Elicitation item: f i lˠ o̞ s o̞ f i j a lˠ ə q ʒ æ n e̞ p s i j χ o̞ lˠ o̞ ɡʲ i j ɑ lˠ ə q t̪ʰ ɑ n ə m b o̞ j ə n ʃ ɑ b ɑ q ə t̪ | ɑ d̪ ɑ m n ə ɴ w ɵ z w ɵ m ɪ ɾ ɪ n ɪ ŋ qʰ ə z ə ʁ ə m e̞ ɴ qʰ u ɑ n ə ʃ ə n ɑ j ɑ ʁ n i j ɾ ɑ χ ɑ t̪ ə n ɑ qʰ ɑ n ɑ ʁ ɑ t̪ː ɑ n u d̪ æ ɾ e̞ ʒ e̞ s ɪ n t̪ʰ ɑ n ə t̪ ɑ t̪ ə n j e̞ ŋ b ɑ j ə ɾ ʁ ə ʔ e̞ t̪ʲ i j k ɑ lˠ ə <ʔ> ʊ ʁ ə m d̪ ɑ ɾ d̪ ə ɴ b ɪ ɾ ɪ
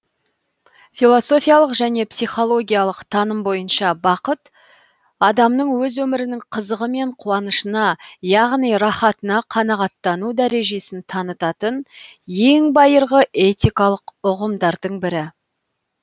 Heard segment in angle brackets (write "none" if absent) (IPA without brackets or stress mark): q